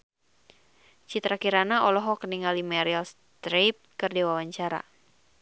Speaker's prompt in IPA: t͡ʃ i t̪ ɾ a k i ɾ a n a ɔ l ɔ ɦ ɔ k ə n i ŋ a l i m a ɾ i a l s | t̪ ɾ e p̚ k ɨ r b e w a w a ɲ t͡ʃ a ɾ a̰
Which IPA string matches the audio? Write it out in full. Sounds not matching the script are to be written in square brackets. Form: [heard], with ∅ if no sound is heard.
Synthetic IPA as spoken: t͡ʃ i t̪ ɾ a k i ɾ a n a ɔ l ɔ ɦ ɔ k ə n i ŋ a l i m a ɾ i a l s | t̪ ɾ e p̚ k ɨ r [d] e w a w a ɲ t͡ʃ a ɾ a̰